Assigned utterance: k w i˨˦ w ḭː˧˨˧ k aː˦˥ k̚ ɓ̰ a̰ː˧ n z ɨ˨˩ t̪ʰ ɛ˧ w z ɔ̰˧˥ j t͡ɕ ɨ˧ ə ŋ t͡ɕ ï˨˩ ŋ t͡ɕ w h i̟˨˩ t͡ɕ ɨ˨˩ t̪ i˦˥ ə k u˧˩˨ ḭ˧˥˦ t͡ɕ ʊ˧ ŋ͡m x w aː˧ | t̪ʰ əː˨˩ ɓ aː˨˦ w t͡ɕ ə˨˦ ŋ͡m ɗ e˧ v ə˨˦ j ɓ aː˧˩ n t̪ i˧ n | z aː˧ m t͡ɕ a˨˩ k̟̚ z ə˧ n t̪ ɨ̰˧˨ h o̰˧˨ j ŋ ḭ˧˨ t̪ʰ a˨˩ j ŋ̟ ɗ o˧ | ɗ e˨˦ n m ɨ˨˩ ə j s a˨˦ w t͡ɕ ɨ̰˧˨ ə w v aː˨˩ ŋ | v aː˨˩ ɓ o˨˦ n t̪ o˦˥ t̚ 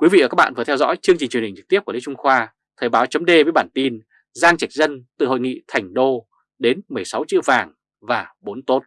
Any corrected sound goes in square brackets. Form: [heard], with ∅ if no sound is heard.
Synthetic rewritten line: k w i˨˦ [v] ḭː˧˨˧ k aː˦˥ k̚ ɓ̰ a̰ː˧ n [v] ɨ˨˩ t̪ʰ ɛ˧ w z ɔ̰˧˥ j t͡ɕ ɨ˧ ə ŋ t͡ɕ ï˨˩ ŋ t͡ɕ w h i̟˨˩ t͡ɕ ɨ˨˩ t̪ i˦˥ ə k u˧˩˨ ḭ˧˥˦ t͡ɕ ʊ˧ ŋ͡m x w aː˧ | t̪ʰ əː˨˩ ɓ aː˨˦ w t͡ɕ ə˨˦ ŋ͡m ɗ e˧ v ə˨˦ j ɓ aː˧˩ n t̪ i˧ n | z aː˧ [ŋ] t͡ɕ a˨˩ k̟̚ z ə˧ n t̪ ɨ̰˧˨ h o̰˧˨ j ŋ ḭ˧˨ t̪ʰ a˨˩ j ŋ̟ ɗ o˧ | ɗ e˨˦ n m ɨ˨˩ ə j s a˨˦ w t͡ɕ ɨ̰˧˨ ə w v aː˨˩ ŋ | v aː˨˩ ɓ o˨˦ n t̪ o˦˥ t̚